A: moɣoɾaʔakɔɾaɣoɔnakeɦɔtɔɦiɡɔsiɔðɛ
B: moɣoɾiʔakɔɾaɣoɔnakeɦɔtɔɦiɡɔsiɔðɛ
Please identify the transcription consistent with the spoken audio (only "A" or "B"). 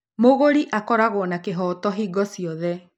B